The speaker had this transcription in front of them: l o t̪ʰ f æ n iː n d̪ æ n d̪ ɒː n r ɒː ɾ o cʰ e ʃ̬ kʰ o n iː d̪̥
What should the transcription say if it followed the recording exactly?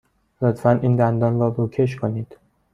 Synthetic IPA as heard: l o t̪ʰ f æ n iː n d̪ æ n d̪ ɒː n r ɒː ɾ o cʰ e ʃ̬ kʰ o n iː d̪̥